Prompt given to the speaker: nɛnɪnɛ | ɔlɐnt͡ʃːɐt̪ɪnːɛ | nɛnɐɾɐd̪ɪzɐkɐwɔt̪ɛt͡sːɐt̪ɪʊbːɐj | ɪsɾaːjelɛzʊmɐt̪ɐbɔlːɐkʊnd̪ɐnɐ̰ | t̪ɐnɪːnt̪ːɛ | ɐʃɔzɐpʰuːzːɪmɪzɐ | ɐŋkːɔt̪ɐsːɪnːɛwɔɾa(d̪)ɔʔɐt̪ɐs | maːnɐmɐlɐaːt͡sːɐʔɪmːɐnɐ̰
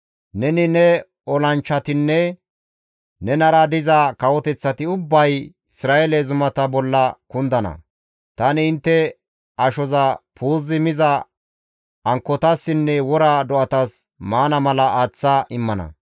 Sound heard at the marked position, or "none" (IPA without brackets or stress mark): d̪